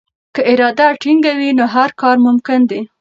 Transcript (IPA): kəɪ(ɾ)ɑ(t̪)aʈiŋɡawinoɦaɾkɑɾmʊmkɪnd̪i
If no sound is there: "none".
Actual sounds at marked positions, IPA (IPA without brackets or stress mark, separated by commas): ɾ, d̪